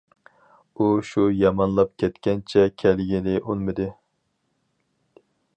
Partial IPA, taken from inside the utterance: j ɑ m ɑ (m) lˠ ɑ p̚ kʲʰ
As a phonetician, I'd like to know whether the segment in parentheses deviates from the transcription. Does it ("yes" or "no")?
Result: yes